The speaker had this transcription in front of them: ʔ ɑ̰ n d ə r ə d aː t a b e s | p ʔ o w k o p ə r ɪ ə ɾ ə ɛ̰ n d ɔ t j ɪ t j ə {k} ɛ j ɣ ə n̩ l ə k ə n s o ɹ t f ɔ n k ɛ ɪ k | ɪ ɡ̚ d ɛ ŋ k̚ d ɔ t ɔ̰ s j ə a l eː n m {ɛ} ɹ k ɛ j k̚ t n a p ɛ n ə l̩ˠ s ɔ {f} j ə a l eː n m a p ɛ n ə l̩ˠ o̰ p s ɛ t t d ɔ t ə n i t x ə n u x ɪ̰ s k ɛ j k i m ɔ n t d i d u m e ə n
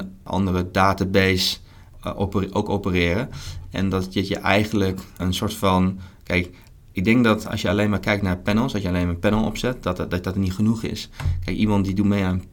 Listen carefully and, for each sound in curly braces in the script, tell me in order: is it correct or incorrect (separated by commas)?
incorrect, incorrect, incorrect